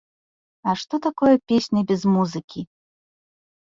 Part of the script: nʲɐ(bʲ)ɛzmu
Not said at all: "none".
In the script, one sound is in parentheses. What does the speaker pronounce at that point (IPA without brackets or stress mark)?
bʲ